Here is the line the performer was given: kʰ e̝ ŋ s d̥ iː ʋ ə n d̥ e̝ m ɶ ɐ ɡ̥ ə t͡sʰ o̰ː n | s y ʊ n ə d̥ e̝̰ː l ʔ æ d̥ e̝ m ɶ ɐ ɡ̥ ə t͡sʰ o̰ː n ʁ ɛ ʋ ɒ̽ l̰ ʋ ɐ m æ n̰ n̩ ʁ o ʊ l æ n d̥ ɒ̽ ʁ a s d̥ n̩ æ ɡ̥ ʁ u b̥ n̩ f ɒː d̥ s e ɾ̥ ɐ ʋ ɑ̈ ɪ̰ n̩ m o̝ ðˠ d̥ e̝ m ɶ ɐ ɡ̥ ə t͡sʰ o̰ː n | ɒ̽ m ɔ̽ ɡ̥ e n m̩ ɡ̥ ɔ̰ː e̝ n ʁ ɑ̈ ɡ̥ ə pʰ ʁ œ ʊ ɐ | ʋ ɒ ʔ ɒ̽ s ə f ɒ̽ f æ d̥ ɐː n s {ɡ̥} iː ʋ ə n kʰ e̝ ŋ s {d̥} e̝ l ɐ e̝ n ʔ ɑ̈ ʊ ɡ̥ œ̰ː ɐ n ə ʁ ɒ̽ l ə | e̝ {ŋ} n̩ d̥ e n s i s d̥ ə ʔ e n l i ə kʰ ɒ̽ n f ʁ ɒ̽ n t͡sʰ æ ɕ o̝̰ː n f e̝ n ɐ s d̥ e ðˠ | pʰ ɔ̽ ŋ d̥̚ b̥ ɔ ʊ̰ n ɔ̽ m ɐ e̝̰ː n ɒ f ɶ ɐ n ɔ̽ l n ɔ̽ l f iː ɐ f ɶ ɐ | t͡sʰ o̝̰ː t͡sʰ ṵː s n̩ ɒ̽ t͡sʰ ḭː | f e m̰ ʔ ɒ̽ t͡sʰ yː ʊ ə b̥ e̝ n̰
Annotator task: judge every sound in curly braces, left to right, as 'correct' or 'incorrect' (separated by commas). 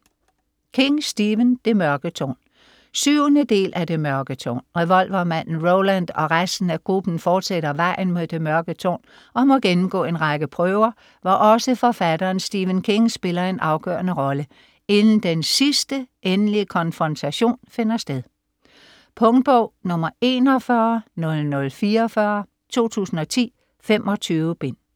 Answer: incorrect, incorrect, incorrect